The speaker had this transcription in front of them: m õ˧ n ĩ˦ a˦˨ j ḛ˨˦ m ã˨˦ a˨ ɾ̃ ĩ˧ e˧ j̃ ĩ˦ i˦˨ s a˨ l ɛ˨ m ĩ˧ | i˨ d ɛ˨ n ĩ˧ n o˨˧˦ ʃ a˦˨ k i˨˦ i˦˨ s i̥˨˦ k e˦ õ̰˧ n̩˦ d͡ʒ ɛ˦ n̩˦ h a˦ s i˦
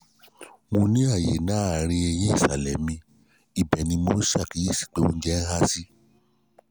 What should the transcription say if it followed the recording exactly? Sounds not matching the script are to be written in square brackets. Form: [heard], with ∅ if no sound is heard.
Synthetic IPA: m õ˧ n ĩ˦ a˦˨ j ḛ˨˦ [n] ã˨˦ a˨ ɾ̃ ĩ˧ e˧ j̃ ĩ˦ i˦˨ s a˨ l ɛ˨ m ĩ˧ | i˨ [b] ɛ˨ n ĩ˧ [m] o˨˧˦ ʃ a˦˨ k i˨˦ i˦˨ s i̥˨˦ [k͡p] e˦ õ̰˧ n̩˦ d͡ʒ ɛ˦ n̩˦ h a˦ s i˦

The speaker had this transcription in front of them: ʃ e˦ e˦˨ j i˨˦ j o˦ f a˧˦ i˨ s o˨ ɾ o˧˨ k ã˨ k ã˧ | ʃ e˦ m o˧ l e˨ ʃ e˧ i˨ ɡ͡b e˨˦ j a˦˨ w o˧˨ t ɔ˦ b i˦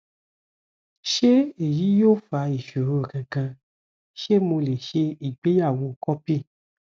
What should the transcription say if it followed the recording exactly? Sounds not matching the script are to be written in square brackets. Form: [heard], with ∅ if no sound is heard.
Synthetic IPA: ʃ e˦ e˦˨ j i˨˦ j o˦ f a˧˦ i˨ [ʃ] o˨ ɾ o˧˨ k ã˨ k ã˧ | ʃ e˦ m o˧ l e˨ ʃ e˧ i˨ ɡ͡b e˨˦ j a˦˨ w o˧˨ [k] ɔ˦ [p] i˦

